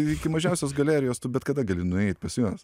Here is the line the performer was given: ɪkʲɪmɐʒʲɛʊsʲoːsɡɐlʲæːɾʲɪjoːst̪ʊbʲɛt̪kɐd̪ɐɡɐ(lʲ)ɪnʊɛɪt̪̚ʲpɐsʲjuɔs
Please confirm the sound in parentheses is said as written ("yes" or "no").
yes